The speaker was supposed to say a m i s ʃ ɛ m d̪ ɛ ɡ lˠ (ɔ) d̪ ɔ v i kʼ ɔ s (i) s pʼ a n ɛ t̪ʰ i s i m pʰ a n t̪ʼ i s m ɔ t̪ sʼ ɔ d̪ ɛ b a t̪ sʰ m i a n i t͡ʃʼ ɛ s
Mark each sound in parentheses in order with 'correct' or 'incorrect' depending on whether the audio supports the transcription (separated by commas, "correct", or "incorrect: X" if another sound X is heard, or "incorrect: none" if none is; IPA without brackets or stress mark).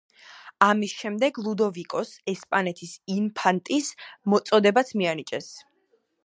incorrect: u, incorrect: ɛ